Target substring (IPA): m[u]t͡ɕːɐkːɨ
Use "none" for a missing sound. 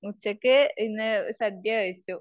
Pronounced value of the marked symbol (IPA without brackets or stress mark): u